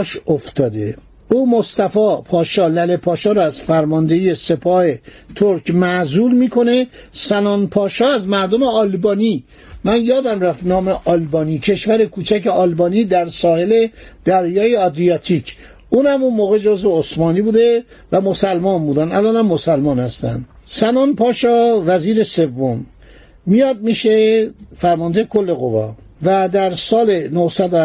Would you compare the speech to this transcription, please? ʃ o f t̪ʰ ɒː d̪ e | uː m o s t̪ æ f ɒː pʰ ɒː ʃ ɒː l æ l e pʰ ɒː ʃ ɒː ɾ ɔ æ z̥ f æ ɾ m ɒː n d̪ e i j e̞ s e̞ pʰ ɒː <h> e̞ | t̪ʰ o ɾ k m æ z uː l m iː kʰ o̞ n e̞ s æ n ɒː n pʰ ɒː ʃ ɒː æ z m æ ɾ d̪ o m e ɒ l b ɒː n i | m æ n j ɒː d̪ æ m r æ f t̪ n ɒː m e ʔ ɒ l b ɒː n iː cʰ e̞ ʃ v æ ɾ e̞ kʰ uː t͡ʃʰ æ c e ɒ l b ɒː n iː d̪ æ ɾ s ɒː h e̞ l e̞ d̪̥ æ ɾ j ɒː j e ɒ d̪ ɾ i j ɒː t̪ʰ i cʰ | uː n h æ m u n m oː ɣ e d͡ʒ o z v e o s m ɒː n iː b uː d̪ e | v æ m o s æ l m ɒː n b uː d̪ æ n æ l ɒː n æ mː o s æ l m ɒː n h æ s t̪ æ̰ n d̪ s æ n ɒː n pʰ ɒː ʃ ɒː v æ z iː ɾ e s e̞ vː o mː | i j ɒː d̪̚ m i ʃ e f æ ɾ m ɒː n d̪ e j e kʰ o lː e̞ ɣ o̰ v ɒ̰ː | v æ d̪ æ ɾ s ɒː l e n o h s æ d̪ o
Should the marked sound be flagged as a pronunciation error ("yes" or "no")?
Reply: no